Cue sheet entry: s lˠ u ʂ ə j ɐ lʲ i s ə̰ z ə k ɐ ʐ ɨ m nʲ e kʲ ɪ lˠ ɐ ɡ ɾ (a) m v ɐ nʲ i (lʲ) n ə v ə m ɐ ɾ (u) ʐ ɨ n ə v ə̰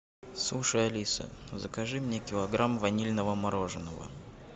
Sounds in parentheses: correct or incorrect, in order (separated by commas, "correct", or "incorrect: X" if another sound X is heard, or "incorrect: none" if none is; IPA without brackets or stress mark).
correct, correct, incorrect: o